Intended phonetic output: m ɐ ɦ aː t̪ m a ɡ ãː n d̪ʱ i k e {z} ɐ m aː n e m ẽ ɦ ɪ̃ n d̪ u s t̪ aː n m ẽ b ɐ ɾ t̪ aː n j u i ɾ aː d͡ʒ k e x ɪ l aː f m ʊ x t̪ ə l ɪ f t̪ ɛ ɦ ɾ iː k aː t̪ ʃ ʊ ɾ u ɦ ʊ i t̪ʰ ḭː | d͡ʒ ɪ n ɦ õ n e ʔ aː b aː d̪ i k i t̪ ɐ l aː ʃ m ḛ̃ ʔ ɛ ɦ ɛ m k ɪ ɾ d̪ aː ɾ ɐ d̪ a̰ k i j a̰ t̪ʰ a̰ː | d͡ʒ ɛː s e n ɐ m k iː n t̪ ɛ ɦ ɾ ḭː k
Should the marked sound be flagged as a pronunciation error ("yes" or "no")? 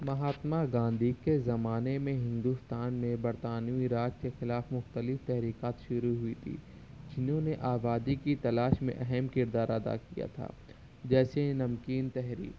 no